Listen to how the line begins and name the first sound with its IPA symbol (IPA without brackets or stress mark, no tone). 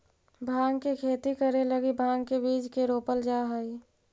bʱ